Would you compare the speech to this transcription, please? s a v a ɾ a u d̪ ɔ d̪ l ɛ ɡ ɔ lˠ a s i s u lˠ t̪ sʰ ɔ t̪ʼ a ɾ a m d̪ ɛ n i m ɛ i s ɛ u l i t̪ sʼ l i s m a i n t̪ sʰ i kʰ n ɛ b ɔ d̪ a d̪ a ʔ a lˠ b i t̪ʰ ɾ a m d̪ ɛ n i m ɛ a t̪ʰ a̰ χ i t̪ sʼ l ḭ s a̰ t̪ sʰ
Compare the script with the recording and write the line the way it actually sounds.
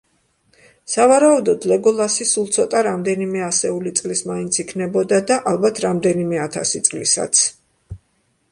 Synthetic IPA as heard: s a v a ɾ a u d̪ ɔ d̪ l ɛ ɡ ɔ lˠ a s i s u lˠ t̪ sʰ ɔ t̪ʼ a ɾ a m d̪ ɛ n i m ɛ a s ɛ u l i t̪ sʼ l i s m a i n t̪ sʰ i kʰ n ɛ b ɔ d̪ a d̪ a ʔ a lˠ b a t̪ʰ ɾ a m d̪ ɛ n i m ɛ a t̪ʰ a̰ s i t̪ sʼ l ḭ s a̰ t̪ sʰ

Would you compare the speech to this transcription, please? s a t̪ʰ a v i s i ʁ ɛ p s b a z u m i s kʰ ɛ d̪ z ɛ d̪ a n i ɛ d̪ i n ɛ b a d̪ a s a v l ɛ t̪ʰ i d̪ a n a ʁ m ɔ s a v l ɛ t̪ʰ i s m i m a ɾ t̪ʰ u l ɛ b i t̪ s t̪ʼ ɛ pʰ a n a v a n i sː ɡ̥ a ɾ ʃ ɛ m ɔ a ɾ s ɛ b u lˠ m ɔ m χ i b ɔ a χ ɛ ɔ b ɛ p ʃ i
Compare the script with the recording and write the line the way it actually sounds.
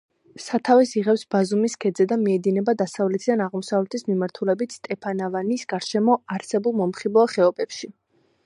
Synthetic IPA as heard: s a t̪ʰ a v ɛ s i ʁ ɛ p s b a z u m i s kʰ ɛ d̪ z ɛ d̪ a m i ɛ d̪ i n ɛ b a d̪ a s a v l ɛ t̪ʰ i d̪ a n a ʁ m ɔ s a v l ɛ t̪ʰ i s m i m a ɾ t̪ʰ u l ɛ b i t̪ s t̪ʼ ɛ pʰ a n a v a n i s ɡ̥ a ɾ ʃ ɛ m ɔ a ɾ s ɛ b u lˠ m ɔ m χ i b ɔ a χ ɛ ɔ b ɛ p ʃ i

